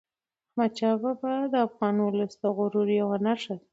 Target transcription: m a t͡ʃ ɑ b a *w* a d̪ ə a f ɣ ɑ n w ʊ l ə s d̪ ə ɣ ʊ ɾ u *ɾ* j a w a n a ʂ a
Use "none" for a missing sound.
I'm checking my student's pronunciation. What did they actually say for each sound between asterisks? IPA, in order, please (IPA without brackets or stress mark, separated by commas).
b, ɾ